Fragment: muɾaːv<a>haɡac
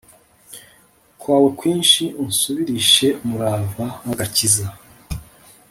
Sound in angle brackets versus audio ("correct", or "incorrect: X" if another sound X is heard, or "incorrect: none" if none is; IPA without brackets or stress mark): correct